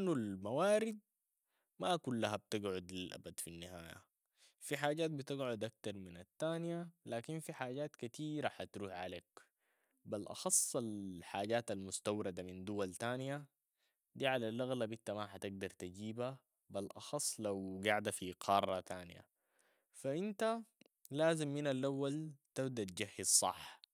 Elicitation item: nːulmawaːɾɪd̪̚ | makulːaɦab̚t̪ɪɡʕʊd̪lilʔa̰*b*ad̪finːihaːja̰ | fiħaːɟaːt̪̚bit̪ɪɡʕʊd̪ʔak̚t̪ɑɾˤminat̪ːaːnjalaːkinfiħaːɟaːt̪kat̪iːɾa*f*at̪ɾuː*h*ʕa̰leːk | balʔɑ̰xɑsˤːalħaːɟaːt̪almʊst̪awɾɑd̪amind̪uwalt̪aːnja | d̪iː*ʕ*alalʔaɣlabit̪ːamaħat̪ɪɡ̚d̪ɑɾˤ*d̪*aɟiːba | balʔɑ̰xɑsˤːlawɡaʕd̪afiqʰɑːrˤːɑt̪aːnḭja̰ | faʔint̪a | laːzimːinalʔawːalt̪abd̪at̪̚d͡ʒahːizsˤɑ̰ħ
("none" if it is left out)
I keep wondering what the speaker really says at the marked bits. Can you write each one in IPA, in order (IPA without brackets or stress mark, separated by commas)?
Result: b, ħ, ħ, ʕ, t̪